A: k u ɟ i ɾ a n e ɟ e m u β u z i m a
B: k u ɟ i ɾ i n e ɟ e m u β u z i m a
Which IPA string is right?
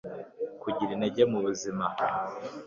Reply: B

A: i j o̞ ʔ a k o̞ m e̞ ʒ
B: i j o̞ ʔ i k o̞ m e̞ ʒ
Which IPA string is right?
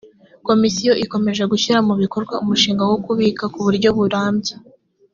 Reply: B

